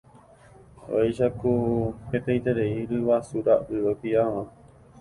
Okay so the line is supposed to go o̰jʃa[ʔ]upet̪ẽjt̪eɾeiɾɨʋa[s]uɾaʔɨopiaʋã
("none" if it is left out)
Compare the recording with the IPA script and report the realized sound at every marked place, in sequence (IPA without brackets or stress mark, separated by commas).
k, s